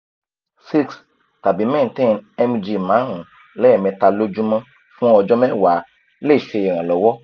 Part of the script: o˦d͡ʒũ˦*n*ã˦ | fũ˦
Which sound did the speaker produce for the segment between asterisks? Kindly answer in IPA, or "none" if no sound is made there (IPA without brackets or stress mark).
m